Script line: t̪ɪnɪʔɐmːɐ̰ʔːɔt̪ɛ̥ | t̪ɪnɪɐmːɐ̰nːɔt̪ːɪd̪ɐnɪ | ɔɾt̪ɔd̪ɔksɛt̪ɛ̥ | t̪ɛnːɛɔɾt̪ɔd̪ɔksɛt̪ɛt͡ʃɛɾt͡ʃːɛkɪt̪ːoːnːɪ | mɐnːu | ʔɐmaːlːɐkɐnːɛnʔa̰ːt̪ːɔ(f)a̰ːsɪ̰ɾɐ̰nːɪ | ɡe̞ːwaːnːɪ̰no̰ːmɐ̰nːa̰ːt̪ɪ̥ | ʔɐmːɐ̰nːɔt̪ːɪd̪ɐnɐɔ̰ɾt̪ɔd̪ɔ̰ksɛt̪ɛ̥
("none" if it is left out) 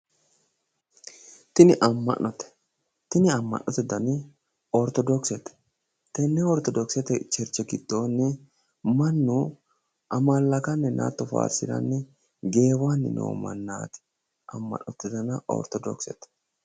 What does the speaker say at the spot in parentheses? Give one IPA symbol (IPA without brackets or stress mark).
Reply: f